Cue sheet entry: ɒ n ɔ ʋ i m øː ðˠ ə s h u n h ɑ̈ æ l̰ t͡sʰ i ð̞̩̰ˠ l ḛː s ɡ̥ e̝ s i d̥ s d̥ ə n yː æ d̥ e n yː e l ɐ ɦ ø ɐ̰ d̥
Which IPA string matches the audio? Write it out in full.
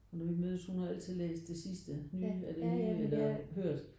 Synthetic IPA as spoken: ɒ n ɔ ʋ i m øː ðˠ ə s h u n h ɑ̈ æ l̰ t͡sʰ i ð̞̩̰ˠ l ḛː s d̥ e̝ s i s d̥ ə n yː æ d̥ e n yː e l ɐ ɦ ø ɐ̰ d̥